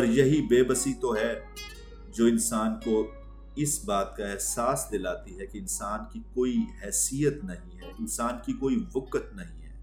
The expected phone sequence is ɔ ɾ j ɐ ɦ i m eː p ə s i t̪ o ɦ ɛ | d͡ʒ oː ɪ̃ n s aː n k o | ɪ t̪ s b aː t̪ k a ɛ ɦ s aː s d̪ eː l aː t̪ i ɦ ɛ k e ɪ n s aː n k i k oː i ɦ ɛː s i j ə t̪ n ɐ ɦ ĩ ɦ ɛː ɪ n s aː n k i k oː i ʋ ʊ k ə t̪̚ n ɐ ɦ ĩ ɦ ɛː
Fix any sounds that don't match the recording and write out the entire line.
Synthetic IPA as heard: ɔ ɾ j ɐ ɦ i b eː b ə s i t̪ o ɦ ɛ | d͡ʒ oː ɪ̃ n s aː n k o | ɪ s b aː t̪ k a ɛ ɦ s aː s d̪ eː l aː t̪ i ɦ ɛ k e ɪ n s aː n k i k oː i ɦ ɛː s i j ə t̪ n ɐ ɦ ĩ ɦ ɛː ɪ n s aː n k i k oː i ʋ ʊ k ə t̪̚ n ɐ ɦ ĩ ɦ ɛː